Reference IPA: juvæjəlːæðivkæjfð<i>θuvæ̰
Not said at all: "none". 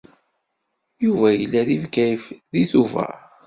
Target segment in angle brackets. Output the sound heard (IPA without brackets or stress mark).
i